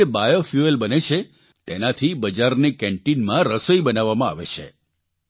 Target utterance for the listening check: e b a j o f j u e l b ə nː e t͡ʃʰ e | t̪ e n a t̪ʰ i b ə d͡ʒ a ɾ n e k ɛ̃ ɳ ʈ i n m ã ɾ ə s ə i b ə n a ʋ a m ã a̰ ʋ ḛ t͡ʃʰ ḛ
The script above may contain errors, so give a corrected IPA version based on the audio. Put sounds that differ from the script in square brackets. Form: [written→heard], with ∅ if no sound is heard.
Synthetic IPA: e b a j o f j u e l b ə [nː→n] e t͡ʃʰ e | t̪ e n a t̪ʰ i b ə d͡ʒ a ɾ n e k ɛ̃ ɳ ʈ i n m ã ɾ ə s ə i b ə n a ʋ a m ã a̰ ʋ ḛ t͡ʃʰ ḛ